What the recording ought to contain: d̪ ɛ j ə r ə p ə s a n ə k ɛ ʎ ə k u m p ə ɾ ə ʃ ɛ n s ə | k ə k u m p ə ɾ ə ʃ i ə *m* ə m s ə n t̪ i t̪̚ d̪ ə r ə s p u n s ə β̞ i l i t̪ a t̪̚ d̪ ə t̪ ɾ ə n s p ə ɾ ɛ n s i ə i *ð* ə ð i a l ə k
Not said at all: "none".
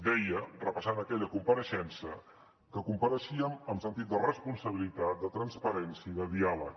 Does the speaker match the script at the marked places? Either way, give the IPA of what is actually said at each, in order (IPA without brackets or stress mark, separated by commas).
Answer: m, ð